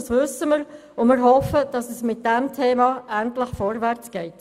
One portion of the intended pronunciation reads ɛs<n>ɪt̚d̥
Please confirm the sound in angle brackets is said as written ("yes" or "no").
no